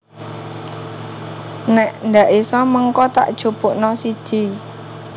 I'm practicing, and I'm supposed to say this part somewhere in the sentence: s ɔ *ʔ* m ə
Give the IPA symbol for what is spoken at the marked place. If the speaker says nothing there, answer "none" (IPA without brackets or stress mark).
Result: none